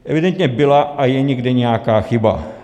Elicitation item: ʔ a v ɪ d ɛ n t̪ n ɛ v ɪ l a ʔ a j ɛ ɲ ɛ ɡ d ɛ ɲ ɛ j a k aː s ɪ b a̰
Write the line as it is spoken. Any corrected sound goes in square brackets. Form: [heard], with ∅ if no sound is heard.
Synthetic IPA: ʔ [ɛ] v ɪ d ɛ n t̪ [ɲ] ɛ [b] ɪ l a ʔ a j ɛ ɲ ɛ ɡ d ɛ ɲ ɛ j a k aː [x] ɪ b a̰